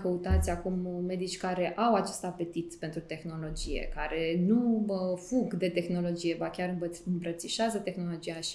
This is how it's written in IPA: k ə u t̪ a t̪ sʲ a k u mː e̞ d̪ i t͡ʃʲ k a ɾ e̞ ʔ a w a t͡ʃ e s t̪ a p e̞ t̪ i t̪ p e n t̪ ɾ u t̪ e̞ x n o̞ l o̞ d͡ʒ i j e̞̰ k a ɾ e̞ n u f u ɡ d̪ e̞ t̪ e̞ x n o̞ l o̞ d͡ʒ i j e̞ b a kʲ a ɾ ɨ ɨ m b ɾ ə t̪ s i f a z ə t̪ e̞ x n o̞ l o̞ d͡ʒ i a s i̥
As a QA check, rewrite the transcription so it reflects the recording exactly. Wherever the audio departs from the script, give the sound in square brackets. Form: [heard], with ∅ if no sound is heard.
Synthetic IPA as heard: k ə u t̪ a t̪ sʲ a k u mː e̞ d̪ i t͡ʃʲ k a ɾ e̞ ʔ a w a t͡ʃ e s t̪ a p e̞ t̪ i t̪ p e n t̪ ɾ u t̪ e̞ x n o̞ l o̞ d͡ʒ i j e̞̰ k a ɾ e̞ n u f u ɡ d̪ e̞ t̪ e̞ x n o̞ l o̞ d͡ʒ i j e̞ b a kʲ a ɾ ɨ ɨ m b ɾ ə t̪ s i [ʃ] a z ə t̪ e̞ x n o̞ l o̞ d͡ʒ i a [ʃ] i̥